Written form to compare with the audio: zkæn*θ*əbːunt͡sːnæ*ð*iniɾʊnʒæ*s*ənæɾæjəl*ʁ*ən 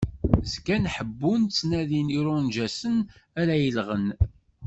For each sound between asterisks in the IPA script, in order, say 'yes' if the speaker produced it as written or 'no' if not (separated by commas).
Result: no, yes, yes, yes